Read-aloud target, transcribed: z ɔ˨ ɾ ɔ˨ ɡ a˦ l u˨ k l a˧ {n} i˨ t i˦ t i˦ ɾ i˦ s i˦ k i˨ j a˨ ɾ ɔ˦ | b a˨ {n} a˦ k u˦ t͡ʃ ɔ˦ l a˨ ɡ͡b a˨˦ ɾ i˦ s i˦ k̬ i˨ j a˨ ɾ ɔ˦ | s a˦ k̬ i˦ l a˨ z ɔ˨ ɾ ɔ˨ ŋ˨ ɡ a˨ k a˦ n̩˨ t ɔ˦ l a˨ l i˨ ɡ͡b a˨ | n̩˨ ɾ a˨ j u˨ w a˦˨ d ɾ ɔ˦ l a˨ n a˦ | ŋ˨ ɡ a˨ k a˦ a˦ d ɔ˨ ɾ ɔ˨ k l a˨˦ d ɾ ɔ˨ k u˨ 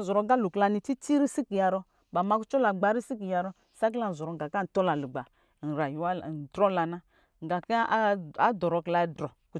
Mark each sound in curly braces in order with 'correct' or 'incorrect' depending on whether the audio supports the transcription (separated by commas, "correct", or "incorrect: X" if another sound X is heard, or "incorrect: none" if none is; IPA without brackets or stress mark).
correct, incorrect: m